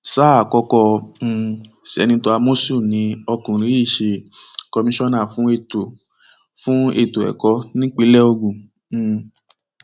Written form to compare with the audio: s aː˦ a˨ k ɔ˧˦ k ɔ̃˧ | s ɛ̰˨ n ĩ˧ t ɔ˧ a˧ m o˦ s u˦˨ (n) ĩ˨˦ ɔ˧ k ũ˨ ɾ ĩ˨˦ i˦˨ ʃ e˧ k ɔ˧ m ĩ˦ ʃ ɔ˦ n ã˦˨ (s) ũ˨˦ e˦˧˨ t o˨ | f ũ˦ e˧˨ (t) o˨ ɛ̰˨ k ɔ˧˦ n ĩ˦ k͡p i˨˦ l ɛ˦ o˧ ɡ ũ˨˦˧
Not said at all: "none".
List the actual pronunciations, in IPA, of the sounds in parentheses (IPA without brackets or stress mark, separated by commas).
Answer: n, f, t